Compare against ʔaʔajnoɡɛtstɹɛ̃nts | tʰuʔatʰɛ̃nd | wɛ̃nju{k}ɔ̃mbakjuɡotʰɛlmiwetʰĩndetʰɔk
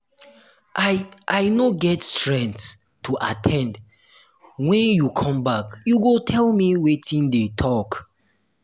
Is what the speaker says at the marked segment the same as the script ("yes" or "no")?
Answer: no